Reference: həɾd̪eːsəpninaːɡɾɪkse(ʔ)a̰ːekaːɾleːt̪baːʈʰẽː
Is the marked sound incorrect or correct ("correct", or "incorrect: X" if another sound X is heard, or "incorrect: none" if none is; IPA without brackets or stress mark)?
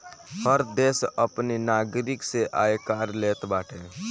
correct